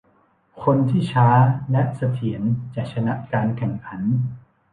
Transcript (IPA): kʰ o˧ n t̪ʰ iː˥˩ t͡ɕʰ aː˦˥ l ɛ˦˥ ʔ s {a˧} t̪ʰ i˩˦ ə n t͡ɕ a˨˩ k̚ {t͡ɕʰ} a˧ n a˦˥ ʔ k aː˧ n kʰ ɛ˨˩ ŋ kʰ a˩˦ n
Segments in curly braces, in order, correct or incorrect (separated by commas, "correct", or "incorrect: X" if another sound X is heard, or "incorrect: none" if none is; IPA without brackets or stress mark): correct, correct